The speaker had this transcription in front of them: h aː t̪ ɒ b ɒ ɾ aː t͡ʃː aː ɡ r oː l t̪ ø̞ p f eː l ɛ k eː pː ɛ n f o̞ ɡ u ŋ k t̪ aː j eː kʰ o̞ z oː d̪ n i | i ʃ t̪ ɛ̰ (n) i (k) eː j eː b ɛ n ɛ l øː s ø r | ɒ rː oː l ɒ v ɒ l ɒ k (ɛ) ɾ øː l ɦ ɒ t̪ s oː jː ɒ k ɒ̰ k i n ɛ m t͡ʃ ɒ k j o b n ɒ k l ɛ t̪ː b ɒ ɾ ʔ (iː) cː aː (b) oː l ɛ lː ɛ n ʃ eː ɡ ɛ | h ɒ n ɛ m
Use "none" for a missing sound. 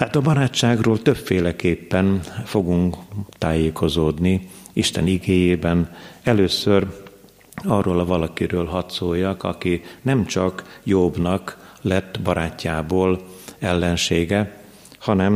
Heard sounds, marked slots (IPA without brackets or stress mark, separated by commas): n, ɡ, i, aː, b